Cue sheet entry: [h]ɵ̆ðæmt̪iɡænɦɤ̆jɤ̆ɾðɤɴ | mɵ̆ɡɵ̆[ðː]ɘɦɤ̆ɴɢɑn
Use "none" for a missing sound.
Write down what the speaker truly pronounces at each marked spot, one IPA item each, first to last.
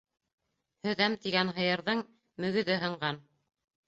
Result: h, ð

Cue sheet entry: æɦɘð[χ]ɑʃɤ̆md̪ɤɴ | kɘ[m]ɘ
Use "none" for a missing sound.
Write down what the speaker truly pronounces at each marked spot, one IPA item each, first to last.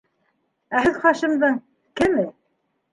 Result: χ, m

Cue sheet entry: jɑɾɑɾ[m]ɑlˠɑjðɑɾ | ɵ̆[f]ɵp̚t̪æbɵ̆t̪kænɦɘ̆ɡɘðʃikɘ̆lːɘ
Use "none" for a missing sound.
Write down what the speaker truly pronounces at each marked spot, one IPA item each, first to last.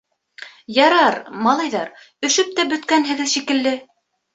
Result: m, ʃ

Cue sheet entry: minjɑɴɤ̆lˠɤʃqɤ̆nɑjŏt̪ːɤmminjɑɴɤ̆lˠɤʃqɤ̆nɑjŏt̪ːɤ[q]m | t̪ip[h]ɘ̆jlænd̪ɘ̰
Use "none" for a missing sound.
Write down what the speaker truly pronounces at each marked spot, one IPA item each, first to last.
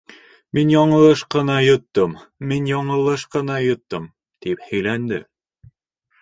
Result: none, h

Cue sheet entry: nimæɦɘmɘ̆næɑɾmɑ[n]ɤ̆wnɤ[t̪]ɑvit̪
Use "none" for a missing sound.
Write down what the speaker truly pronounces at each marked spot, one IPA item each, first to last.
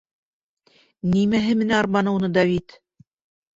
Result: n, d̪

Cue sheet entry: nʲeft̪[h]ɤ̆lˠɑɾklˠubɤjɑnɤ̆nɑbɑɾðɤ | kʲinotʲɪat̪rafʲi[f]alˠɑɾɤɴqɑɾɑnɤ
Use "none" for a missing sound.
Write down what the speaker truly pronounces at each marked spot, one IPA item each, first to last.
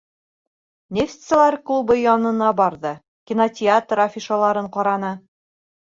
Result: s, ʃ

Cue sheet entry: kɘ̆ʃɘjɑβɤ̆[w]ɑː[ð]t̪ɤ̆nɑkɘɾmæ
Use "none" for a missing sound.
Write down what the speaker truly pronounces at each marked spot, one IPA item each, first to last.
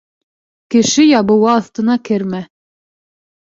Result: w, θ

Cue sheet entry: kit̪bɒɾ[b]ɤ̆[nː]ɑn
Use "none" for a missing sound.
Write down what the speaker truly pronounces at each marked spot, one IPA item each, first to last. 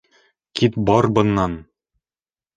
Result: b, nː

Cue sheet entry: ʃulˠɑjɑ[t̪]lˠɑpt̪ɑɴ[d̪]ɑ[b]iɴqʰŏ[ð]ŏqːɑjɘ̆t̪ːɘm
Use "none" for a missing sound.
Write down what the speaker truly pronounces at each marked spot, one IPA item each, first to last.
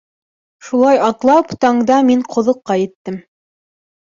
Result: t̪, d̪, m, ð

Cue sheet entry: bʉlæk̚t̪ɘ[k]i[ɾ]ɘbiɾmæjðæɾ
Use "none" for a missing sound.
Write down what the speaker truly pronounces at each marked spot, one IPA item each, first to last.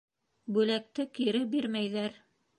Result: k, ɾ

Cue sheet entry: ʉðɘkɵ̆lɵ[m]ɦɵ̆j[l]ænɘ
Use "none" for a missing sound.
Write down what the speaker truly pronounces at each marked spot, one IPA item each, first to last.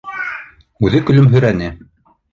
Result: m, ɾ

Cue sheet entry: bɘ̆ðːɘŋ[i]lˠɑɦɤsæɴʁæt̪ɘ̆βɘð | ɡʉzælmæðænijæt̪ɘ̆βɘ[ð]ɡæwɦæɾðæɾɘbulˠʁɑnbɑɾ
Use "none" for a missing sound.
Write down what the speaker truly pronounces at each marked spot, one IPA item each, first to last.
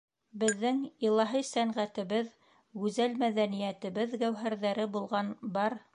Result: i, ð

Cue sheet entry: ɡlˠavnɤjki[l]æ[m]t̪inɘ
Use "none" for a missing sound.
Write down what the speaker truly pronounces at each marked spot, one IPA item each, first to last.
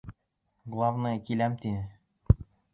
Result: l, m

